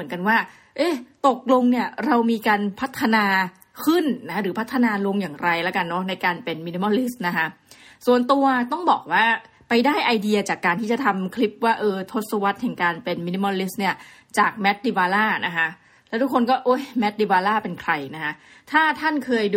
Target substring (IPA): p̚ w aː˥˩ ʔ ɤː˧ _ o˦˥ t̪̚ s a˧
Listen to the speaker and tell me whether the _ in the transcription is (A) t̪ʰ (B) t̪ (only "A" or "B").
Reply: A